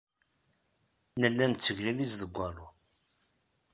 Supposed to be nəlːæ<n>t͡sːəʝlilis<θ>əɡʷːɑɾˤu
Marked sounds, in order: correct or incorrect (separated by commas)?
correct, incorrect